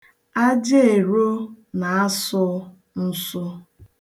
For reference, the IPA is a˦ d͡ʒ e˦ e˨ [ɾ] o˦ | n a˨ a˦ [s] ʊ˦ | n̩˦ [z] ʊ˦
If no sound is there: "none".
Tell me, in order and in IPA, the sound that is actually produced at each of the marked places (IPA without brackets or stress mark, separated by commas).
ɾ, s, s